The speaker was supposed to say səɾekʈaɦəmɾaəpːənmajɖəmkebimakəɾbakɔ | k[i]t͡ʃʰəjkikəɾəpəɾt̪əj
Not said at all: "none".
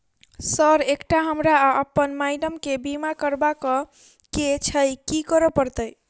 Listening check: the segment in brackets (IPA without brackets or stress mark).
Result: e